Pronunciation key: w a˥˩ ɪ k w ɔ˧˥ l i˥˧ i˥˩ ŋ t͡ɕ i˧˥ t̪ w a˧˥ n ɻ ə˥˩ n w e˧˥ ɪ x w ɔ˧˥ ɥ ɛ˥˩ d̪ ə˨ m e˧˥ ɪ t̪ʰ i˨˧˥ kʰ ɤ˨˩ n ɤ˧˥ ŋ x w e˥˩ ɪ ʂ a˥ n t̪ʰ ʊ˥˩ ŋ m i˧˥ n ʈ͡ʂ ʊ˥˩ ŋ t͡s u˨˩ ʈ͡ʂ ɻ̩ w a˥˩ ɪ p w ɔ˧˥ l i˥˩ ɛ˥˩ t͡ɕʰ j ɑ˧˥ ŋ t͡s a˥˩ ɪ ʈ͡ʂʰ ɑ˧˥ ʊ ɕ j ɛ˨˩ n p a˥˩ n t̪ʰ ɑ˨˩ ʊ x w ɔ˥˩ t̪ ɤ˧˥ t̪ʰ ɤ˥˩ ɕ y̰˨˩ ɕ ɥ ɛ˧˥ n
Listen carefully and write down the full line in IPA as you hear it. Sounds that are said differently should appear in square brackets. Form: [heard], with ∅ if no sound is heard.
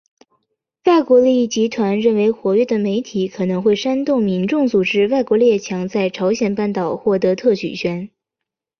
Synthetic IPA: w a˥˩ ɪ k w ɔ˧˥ l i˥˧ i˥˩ [∅] t͡ɕ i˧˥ [t̪ʰ] w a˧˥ n ɻ ə˥˩ n w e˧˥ ɪ x w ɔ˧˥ ɥ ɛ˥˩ d̪ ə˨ m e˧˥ ɪ t̪ʰ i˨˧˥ kʰ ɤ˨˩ n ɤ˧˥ ŋ x w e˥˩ ɪ ʂ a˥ n [t̪] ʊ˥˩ ŋ m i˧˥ n ʈ͡ʂ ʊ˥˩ ŋ t͡s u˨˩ ʈ͡ʂ ɻ̩ w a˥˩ ɪ [k] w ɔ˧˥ l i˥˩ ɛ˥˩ t͡ɕʰ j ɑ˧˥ ŋ t͡s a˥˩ ɪ ʈ͡ʂʰ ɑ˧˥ ʊ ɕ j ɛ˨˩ n p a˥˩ n [t̪] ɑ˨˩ ʊ x w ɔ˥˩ t̪ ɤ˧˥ t̪ʰ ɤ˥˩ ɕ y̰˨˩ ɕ ɥ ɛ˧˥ n